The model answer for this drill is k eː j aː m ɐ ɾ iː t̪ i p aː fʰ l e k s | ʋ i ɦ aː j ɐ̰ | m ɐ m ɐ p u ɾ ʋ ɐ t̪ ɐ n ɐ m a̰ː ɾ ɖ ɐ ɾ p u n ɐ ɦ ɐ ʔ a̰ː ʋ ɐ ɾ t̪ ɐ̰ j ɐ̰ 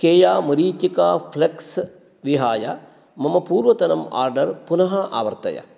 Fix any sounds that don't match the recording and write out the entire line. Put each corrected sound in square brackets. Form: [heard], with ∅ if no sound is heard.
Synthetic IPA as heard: k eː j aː m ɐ ɾ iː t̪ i [k] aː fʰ l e k s | ʋ i ɦ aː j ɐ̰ | m ɐ m ɐ p [uː] ɾ ʋ ɐ t̪ ɐ n ɐ m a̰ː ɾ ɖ ɐ ɾ p u n ɐ ɦ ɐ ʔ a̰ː ʋ ɐ ɾ t̪ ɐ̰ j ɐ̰